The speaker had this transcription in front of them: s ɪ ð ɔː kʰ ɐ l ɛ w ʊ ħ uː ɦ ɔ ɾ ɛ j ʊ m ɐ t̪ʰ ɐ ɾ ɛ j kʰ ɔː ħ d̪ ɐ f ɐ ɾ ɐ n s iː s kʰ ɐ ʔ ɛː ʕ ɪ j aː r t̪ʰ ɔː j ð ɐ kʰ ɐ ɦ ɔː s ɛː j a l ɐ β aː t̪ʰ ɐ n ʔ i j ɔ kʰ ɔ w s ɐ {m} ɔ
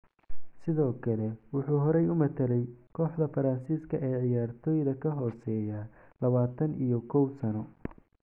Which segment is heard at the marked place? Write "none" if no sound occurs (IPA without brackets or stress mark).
n